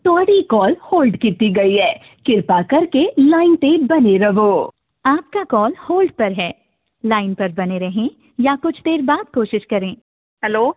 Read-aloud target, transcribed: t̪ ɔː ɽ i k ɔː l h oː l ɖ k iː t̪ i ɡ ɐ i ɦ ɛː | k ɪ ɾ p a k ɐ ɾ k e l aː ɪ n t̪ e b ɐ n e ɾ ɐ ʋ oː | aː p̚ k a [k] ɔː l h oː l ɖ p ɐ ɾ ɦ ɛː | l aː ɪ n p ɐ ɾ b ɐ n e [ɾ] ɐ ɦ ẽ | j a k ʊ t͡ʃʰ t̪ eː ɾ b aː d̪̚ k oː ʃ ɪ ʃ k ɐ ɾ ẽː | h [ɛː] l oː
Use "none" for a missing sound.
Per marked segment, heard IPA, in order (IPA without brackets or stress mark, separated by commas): k, ɾ, ɛ